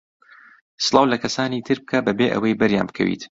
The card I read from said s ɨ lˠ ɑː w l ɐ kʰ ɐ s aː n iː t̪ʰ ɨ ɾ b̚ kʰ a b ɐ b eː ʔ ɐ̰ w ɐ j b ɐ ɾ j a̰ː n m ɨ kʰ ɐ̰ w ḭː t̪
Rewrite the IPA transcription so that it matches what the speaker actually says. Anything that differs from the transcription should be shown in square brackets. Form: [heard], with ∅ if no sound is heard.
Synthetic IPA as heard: s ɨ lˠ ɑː w l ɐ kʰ ɐ s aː n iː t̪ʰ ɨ ɾ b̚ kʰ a b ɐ b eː ʔ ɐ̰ w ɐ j b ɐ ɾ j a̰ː n [b] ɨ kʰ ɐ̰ w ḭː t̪